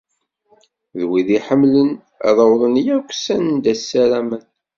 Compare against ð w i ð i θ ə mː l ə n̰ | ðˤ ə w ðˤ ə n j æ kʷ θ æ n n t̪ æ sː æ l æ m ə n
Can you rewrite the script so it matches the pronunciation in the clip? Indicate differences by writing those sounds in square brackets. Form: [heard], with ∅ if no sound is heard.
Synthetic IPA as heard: ð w i ð i [ħ] ə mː l ə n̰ | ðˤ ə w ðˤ ə n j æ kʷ [s] æ n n [d̪] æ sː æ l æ m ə n

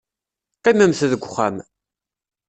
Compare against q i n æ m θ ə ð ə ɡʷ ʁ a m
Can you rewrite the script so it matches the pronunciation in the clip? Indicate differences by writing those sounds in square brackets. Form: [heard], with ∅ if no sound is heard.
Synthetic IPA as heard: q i [m] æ m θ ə ð ə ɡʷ [χ] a m

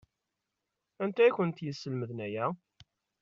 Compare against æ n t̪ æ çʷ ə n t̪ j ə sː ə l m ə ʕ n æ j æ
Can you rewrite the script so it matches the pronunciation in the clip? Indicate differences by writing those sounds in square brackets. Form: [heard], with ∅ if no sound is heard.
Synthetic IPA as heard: æ n t̪ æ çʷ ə n t̪ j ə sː ə l m ə [ð] n æ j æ

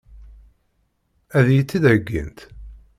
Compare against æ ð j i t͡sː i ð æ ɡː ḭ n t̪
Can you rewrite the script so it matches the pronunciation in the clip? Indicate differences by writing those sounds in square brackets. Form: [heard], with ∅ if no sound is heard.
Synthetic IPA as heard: æ ð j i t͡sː i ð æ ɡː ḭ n t̪

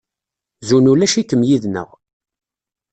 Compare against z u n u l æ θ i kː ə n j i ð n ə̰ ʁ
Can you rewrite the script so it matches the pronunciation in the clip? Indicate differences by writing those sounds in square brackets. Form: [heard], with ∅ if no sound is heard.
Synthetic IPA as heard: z u n u l æ [ʃ] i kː ə [m] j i ð n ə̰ ʁ

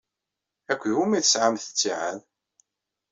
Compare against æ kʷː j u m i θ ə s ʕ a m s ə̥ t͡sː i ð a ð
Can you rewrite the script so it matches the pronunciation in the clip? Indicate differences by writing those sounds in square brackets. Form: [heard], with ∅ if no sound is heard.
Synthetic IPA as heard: æ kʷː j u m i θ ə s ʕ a m [θ] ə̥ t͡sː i [ʕ] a ð

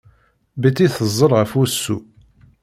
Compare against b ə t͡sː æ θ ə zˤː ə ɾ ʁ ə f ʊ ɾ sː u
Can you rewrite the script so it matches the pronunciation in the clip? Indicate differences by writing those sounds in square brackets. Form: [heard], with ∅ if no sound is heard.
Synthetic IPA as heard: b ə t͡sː [i] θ ə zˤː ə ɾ ʁ ə f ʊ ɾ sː u

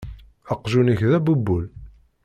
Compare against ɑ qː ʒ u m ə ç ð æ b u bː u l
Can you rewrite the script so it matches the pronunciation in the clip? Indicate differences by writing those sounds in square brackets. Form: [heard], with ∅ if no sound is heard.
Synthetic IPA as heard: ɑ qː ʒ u [n] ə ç ð æ b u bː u l

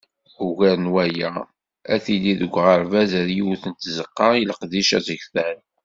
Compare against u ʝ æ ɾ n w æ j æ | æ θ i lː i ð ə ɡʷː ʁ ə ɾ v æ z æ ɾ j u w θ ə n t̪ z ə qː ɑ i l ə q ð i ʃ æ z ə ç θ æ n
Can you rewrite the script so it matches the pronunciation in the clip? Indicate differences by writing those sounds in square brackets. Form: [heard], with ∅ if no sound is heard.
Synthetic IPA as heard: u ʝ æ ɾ n w æ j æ | æ θ i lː i ð ə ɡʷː ʁ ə ɾ v æ z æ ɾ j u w θ ə n t̪ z ə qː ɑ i l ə q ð i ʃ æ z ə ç θ æ n

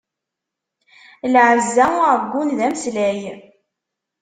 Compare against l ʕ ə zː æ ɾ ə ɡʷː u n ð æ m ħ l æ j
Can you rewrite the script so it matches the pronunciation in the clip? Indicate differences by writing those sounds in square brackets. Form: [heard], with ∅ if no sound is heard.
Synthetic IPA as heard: l ʕ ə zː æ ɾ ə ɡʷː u n ð æ m [s] l æ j

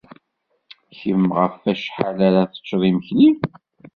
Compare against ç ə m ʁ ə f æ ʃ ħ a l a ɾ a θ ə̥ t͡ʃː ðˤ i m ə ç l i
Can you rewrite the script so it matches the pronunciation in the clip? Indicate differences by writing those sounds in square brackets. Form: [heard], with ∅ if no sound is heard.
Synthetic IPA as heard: ç ə m ʁ ə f æ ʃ ħ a l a ɾ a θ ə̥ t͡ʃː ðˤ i m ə ç l i

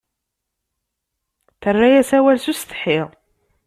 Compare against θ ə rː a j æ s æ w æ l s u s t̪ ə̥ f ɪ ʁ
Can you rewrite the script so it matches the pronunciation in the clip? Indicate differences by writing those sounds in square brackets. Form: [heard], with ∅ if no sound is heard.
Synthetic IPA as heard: θ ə rː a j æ s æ w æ l s u s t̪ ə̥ [ħ] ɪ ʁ

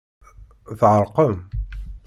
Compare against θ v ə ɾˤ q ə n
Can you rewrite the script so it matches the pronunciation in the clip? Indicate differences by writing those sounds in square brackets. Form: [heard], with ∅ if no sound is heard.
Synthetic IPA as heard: θ [ʕ] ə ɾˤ q ə [m]

